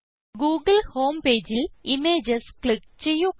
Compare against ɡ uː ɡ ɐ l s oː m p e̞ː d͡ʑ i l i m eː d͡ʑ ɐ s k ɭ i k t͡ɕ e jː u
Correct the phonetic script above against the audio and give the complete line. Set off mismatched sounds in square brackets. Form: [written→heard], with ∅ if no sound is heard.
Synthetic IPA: ɡ uː ɡ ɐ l [s→h] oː m p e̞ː d͡ʑ i l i m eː d͡ʑ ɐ s k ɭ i k t͡ɕ e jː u